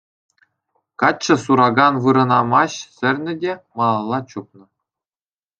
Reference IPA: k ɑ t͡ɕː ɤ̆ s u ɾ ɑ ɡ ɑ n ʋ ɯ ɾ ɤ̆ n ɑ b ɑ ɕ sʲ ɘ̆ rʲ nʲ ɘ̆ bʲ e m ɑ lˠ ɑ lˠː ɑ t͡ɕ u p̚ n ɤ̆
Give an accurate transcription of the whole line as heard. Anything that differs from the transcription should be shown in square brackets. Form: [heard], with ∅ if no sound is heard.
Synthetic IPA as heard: k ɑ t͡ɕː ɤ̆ s u ɾ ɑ ɡ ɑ n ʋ ɯ ɾ ɤ̆ n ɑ [m] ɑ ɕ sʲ ɘ̆ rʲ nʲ ɘ̆ [dʲ] e m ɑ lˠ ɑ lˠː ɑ t͡ɕ u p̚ n ɤ̆